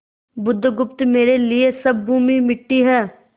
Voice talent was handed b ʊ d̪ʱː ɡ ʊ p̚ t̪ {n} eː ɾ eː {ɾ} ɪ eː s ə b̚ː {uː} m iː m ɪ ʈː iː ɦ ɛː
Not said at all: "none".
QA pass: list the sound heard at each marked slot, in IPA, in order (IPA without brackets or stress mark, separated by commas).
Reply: m, l, uː